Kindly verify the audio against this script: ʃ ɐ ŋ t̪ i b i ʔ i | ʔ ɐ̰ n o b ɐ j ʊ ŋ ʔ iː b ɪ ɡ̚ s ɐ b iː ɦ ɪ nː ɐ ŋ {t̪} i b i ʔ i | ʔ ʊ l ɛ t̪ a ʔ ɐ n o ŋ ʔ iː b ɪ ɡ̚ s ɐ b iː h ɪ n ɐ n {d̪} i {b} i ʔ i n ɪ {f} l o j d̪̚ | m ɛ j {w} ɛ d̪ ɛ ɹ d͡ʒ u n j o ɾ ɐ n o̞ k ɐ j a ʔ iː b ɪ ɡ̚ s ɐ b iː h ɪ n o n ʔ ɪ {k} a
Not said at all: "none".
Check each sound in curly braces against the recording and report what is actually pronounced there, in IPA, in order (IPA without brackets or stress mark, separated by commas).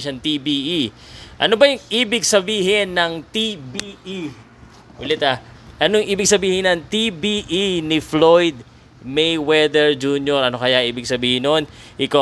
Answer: t̪, t̪, b, f, w, k